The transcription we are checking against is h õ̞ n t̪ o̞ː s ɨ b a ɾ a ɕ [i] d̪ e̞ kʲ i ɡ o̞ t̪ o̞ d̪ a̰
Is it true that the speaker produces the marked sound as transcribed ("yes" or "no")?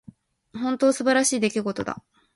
no